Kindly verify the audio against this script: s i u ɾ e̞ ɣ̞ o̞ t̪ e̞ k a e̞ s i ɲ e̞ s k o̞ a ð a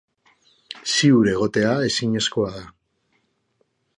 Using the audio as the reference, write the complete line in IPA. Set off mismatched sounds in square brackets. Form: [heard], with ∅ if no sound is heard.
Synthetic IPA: s i u ɾ e̞ ɣ̞ o̞ t̪ e̞ [∅] a e̞ s i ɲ e̞ s k o̞ a ð a